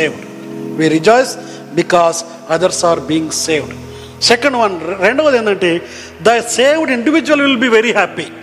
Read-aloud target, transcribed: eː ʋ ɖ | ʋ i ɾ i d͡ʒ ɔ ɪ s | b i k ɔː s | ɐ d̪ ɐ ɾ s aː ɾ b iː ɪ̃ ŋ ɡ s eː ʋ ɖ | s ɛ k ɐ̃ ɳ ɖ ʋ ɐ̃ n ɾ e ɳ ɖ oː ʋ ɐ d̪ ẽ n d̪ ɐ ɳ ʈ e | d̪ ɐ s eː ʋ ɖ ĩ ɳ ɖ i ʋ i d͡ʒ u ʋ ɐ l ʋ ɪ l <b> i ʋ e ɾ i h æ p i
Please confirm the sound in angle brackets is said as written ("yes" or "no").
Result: yes